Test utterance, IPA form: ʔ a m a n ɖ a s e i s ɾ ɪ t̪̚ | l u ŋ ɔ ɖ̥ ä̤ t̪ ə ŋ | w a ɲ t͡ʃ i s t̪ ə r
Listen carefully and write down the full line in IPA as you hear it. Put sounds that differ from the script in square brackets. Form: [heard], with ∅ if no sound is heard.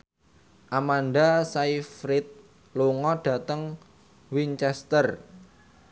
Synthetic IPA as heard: ʔ a m a n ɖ a s [a] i [f] ɾ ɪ t̪̚ | l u ŋ ɔ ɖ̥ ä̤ t̪ ə ŋ | w [i] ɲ t͡ʃ [ɛ] s t̪ ə r